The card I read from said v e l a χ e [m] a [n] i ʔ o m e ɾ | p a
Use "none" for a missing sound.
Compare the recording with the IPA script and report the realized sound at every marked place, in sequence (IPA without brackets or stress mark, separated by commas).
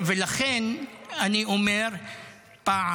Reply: n, n